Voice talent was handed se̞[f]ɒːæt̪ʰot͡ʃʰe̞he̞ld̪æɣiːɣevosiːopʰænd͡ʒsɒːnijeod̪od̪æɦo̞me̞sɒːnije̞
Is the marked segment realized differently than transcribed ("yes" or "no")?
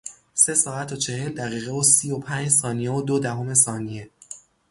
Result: yes